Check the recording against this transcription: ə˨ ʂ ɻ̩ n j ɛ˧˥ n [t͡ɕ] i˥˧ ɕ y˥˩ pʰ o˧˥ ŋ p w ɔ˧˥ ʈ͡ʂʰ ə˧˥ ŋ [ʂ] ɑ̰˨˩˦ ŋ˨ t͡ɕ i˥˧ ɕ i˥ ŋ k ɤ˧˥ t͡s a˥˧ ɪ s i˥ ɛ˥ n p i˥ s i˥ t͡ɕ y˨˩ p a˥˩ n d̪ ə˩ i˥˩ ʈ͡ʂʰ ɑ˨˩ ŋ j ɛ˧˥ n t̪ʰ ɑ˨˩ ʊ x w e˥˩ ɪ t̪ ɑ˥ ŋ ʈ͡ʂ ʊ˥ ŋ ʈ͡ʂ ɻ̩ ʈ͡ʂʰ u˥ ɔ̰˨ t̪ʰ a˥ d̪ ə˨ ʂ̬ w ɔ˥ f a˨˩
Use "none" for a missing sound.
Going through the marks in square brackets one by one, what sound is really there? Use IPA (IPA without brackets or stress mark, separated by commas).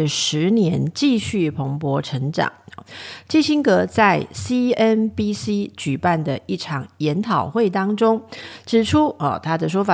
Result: t͡ɕ, ʈ͡ʂ